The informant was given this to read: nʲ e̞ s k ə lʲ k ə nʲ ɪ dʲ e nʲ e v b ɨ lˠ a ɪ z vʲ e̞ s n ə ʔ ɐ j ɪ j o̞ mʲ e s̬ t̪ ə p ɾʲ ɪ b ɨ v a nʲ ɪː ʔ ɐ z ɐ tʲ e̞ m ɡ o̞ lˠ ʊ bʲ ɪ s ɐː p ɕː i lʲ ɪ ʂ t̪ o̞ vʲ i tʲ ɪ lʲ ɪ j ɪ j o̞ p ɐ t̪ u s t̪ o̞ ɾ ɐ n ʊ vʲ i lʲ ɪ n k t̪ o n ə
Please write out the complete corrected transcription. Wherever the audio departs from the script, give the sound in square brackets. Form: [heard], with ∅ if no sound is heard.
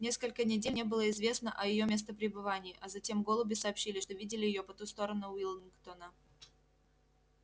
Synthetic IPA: nʲ e̞ s k ə lʲ k ə nʲ ɪ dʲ e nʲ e [∅] b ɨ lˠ [ə] ɪ z vʲ e̞ s n ə ʔ ɐ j ɪ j o̞ mʲ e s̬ t̪ ə p ɾʲ ɪ b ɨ v a nʲ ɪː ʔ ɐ z ɐ tʲ e̞ m ɡ o̞ lˠ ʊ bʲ ɪ s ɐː p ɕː i lʲ ɪ ʂ t̪ o̞ vʲ i [dʲ] ɪ lʲ ɪ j ɪ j o̞ p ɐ t̪ u s t̪ o̞ ɾ [ə] n ʊ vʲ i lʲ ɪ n k t̪ o n ə